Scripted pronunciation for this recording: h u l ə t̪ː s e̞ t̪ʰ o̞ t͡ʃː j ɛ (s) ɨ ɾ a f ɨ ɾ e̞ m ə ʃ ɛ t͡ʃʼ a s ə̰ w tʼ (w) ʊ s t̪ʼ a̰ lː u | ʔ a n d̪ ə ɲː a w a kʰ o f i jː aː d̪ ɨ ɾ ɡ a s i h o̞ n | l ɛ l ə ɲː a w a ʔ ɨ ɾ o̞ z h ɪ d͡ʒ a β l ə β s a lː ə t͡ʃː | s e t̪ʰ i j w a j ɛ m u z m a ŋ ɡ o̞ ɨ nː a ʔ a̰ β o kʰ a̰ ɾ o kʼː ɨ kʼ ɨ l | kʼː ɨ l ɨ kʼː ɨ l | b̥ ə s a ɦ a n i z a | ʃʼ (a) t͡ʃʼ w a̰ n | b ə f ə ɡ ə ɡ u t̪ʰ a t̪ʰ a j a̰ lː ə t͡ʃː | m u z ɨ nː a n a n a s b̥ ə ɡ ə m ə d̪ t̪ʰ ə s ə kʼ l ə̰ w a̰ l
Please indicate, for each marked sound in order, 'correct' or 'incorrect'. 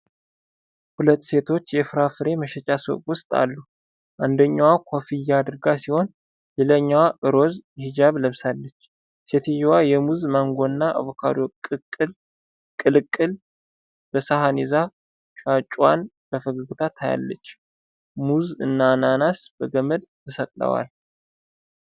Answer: incorrect, correct, correct

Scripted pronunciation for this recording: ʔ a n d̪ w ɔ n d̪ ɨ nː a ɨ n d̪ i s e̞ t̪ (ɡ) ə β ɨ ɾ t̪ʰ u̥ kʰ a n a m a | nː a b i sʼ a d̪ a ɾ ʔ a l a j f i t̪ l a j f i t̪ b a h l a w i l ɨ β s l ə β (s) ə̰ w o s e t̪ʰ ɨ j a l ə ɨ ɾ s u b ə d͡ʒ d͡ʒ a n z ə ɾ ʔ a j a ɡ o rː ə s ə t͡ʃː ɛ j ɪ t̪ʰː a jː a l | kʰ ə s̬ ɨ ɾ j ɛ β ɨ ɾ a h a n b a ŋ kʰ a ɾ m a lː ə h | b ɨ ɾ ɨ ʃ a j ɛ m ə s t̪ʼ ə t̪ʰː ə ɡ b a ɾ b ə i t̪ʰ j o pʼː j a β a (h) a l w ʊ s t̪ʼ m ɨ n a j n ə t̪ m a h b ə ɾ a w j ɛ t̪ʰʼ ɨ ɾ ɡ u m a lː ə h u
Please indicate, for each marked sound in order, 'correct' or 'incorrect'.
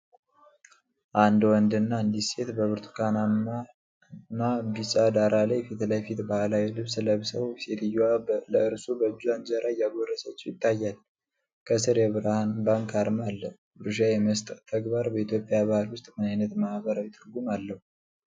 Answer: incorrect, correct, correct

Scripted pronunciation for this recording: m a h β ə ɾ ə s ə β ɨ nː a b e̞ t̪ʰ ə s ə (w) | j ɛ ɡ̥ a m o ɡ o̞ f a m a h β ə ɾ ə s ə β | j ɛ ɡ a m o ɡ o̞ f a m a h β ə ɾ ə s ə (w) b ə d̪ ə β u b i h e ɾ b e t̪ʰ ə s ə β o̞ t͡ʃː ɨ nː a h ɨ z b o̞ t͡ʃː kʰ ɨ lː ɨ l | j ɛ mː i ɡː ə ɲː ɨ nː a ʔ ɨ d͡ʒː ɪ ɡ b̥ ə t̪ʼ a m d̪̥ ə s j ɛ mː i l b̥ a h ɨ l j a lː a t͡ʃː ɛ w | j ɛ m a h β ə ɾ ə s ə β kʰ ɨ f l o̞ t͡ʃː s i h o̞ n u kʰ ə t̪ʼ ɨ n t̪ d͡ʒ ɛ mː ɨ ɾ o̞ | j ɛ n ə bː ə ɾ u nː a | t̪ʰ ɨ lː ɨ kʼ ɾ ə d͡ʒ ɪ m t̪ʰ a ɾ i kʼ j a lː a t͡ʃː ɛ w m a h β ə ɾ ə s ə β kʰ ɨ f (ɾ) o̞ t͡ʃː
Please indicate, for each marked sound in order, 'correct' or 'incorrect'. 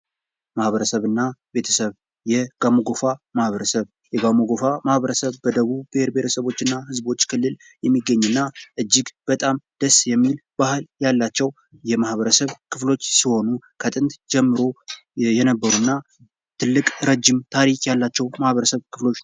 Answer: incorrect, incorrect, incorrect

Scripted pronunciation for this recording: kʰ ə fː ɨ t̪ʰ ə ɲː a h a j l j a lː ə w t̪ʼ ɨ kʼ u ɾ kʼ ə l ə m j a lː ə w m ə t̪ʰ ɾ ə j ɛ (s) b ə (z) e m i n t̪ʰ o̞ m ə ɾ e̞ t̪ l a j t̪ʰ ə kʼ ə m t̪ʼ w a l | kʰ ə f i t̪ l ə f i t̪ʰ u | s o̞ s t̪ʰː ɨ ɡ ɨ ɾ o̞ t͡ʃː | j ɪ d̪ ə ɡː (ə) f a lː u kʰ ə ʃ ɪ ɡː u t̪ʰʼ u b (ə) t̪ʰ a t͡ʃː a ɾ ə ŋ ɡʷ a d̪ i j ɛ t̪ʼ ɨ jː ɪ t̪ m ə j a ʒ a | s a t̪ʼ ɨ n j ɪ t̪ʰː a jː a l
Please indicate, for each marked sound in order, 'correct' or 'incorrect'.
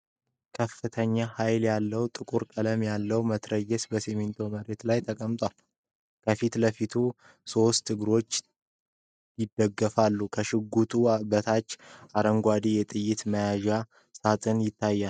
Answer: correct, incorrect, correct, correct

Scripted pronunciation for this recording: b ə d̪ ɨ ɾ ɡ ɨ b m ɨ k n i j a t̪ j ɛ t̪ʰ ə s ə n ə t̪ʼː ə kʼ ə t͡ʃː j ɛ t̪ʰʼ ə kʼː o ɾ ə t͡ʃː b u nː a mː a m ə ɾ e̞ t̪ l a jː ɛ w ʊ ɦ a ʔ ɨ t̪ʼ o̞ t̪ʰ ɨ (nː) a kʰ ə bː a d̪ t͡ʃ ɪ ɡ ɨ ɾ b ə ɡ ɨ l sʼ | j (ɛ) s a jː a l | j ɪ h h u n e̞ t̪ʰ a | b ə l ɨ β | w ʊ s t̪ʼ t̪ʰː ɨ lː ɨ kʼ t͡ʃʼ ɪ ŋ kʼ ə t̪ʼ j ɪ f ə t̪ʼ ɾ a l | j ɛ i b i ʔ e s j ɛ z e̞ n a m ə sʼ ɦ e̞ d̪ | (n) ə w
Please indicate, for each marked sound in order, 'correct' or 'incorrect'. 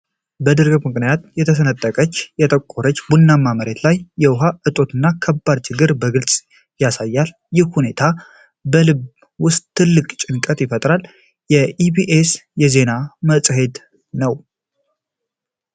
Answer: correct, incorrect, correct

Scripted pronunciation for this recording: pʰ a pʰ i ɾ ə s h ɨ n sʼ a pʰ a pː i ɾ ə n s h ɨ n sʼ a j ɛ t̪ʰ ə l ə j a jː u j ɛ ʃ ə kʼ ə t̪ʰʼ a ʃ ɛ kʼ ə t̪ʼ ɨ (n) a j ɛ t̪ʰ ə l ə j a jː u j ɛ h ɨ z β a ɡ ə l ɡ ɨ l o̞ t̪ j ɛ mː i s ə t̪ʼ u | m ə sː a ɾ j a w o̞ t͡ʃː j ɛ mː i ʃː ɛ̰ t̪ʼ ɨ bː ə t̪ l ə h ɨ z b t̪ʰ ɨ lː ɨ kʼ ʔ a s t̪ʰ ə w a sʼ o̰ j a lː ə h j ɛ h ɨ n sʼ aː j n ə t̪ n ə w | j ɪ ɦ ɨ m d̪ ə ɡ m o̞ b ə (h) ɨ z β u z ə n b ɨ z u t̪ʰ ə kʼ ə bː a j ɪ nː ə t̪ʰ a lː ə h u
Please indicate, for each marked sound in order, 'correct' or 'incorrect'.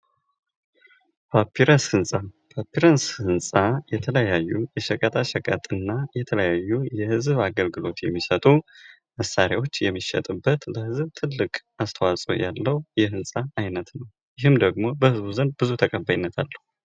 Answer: incorrect, correct

